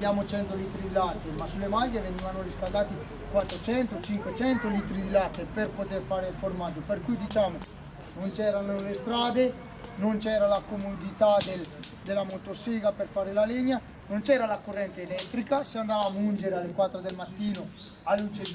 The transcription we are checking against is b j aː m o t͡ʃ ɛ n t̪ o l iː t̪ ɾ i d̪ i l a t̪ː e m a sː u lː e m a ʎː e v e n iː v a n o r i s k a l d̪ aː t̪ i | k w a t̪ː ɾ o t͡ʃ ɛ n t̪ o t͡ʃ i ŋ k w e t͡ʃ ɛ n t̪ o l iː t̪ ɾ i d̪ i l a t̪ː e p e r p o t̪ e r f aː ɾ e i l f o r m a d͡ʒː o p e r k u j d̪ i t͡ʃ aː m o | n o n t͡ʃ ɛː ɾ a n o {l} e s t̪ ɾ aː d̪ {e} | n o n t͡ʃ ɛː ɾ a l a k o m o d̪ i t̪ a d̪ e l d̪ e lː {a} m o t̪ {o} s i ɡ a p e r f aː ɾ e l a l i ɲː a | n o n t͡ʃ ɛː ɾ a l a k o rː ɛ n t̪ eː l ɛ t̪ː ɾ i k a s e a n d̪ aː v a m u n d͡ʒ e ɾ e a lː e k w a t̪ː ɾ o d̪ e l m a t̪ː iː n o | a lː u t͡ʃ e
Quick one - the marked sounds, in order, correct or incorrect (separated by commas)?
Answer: correct, correct, correct, correct